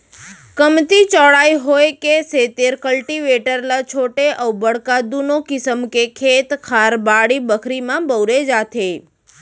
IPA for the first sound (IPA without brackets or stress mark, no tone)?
k